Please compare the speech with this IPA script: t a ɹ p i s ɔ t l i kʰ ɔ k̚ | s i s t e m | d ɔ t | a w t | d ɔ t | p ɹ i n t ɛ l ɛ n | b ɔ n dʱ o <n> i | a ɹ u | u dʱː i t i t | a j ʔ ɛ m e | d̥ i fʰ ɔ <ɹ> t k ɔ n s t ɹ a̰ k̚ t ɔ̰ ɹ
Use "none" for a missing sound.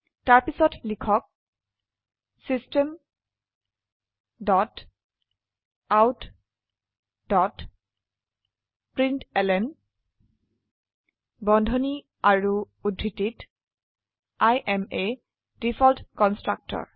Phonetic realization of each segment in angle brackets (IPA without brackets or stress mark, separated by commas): n, l